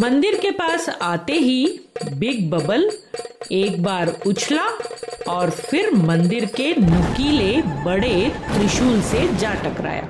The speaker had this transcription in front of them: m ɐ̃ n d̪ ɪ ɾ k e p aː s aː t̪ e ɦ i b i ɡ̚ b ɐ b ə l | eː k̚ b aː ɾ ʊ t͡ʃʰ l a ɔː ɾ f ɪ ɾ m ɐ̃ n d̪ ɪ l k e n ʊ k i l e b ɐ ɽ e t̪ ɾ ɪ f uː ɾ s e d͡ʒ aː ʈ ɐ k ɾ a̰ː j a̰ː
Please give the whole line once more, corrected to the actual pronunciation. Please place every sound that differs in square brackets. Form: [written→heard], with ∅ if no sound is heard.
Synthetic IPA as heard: m ɐ̃ n d̪ ɪ ɾ k e p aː s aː t̪ e ɦ i b [i→ɪ] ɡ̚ b ɐ b ə l | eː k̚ b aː ɾ ʊ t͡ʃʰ l a ɔː ɾ f ɪ ɾ m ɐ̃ n d̪ ɪ [l→ɾ] k e n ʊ k i l e b ɐ ɽ e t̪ ɾ ɪ [f→ʃ] uː [ɾ→l] s e d͡ʒ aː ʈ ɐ k ɾ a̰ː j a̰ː